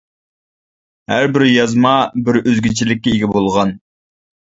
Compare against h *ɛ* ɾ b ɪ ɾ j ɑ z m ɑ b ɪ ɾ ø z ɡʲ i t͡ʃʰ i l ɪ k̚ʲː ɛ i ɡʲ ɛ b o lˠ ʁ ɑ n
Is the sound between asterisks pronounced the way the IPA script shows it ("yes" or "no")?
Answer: no